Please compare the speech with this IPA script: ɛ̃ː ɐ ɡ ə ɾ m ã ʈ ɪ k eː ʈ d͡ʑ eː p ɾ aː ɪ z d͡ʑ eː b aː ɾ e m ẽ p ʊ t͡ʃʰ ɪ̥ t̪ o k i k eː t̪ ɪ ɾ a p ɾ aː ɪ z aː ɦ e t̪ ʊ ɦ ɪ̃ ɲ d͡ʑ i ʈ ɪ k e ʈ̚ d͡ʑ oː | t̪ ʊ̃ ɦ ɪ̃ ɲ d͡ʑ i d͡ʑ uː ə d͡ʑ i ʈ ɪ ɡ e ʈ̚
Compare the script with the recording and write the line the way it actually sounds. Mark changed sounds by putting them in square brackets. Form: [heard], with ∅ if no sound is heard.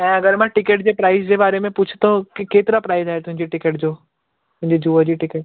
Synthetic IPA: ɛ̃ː ɐ ɡ ə ɾ m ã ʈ ɪ k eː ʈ d͡ʑ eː p ɾ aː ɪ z d͡ʑ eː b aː ɾ e m ẽ p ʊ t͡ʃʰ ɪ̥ t̪ o k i k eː t̪ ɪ ɾ a p ɾ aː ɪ z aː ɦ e t̪ ʊ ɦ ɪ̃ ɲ d͡ʑ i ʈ ɪ k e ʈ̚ d͡ʑ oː | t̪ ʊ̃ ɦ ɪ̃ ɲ d͡ʑ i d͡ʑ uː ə d͡ʑ i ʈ ɪ [k] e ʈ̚